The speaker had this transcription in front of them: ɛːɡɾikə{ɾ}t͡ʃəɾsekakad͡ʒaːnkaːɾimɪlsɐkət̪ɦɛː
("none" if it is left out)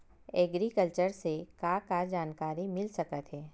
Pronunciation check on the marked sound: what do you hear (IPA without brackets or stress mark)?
l